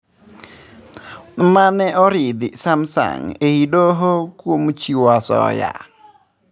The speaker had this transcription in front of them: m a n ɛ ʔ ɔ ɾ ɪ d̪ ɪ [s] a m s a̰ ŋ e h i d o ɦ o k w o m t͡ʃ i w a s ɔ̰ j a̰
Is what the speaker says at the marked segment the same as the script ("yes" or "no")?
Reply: yes